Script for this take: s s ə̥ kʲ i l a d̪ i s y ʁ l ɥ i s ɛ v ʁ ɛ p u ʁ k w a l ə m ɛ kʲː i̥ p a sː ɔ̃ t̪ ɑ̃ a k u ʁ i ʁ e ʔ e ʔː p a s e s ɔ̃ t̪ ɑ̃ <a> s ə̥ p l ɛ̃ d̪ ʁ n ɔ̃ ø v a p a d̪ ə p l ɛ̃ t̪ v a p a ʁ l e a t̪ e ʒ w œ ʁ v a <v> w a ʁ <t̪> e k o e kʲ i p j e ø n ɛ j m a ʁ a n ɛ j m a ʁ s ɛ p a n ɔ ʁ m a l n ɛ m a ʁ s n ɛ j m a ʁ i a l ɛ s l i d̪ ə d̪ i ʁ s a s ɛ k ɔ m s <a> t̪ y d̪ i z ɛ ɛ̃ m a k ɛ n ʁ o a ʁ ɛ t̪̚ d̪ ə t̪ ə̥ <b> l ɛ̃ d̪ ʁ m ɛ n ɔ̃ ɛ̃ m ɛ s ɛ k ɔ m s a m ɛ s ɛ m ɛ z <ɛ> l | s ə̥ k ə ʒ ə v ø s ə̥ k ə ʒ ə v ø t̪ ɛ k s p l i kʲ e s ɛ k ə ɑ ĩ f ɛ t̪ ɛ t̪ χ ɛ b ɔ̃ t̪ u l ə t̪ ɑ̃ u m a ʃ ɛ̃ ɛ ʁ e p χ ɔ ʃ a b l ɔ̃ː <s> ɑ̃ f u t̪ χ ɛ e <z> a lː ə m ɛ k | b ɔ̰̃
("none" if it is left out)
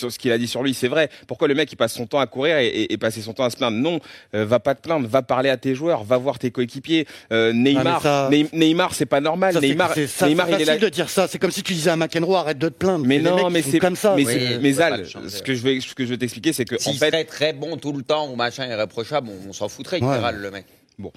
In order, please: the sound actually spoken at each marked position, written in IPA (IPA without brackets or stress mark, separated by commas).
a, v, t̪, i, p, a, s, ʁ